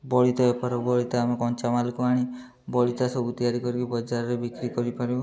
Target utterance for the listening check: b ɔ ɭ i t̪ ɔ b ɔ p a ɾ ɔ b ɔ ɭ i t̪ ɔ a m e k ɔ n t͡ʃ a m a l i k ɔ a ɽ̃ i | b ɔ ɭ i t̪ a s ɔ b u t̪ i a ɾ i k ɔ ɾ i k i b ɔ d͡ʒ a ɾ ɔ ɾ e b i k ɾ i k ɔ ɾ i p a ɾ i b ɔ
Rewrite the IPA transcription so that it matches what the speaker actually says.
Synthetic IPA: b ɔ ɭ i t̪ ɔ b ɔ p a ɾ ɔ b ɔ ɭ i t̪ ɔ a m e k ɔ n t͡ʃ a m a l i k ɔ a ɽ̃ i | b ɔ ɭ i t̪ a s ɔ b u t̪ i a ɾ i k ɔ ɾ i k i b ɔ d͡ʒ a ɾ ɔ ɾ e b i k ɾ i k ɔ ɾ i p a ɾ i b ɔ